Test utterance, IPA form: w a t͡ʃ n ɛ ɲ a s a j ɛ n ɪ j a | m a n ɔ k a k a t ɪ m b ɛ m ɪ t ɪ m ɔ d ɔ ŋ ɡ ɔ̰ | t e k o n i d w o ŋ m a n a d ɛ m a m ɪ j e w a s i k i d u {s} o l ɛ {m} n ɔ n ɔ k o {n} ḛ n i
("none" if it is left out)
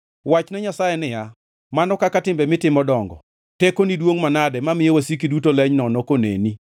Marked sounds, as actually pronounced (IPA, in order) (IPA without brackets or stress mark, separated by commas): t, ɲ, n